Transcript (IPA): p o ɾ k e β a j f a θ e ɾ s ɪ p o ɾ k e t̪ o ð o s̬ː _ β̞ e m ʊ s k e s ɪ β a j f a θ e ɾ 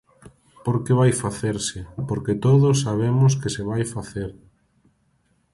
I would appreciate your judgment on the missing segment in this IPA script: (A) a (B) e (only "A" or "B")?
A